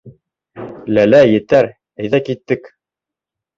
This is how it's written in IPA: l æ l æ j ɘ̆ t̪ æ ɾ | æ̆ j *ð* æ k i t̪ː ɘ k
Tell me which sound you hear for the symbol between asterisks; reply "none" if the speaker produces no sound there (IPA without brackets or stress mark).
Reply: ð